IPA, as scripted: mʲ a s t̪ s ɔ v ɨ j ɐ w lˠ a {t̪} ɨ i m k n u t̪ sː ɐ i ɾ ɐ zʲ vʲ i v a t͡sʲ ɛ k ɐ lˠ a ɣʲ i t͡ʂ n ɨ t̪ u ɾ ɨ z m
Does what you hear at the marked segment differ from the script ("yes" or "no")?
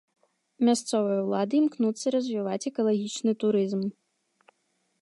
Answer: yes